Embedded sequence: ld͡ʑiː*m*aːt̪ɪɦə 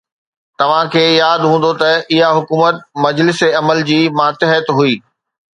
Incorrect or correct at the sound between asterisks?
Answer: correct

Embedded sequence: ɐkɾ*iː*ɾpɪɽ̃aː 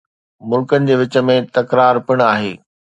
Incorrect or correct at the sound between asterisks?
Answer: incorrect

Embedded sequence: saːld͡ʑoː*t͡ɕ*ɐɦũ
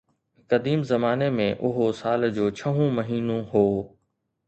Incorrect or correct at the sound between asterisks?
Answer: incorrect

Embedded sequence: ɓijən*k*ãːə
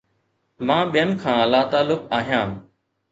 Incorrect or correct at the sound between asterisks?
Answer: incorrect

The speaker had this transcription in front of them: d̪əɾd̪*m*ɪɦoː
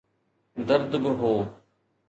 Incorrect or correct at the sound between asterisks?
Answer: incorrect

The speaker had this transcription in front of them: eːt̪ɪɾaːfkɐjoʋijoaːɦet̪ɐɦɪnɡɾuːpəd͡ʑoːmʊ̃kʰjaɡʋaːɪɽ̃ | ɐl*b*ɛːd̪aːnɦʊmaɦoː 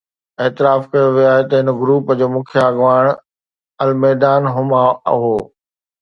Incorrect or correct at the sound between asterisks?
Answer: incorrect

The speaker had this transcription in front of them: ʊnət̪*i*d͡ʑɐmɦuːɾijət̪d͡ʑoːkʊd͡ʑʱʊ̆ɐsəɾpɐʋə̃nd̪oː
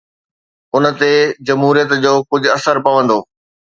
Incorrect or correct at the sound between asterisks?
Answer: incorrect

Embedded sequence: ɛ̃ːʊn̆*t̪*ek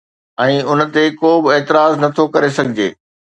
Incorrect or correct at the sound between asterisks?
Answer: correct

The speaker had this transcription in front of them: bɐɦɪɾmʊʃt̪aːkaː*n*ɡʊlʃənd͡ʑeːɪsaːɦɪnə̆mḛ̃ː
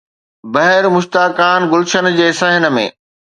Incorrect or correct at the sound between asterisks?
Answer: correct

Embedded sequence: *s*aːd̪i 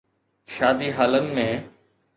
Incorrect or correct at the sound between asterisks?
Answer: incorrect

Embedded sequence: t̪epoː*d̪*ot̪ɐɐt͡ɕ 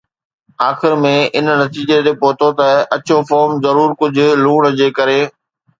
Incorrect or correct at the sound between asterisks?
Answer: incorrect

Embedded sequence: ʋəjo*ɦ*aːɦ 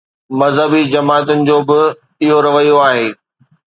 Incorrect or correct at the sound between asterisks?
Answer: incorrect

